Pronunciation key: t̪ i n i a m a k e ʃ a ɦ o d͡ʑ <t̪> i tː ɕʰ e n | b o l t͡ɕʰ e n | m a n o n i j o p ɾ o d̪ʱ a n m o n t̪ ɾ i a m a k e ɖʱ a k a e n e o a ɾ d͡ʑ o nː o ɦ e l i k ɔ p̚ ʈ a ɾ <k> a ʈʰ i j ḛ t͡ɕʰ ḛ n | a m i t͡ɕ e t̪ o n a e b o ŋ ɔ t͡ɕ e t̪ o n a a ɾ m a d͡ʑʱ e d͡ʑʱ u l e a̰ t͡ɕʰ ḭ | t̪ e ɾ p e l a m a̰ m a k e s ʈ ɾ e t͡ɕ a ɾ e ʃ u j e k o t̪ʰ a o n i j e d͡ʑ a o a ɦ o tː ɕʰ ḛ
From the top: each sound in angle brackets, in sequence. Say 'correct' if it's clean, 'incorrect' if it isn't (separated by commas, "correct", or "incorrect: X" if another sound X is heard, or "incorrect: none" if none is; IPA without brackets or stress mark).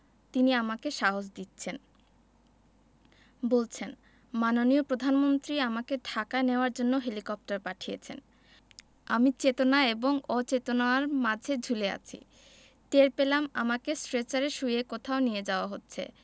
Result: incorrect: d̪, incorrect: p